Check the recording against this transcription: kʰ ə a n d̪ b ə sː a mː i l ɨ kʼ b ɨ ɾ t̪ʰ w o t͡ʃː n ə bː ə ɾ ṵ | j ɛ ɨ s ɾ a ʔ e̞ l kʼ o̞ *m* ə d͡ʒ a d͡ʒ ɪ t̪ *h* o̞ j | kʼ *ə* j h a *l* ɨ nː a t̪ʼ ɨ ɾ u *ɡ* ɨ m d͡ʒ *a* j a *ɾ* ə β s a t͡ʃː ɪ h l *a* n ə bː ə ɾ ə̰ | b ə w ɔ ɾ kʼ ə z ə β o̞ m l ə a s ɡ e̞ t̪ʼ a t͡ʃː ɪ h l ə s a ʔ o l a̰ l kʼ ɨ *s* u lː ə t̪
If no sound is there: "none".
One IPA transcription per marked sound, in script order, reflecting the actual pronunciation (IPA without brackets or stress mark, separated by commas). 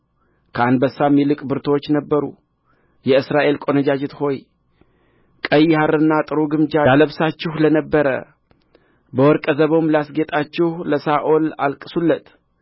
n, h, ə, ɾ, ɡ, a, l, ə, s